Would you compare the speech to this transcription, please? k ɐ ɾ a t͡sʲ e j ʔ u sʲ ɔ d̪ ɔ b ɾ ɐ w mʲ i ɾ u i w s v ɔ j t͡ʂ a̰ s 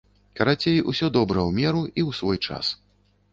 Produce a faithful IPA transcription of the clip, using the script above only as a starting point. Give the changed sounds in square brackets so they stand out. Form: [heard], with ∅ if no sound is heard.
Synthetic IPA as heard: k ɐ ɾ a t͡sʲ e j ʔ u sʲ ɔ d̪ ɔ b ɾ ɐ w mʲ [ɛ] ɾ u i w s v ɔ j t͡ʂ a̰ s